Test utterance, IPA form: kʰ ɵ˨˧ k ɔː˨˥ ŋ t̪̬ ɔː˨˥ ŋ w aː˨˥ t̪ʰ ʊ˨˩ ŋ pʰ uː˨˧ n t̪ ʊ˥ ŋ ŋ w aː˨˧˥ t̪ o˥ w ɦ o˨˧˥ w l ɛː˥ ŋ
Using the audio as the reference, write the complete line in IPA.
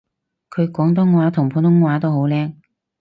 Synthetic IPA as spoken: kʰ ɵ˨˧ k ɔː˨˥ ŋ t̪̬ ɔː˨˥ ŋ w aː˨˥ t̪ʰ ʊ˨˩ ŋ pʰ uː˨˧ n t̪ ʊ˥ ŋ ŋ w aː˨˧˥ t̪ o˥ w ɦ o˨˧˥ w l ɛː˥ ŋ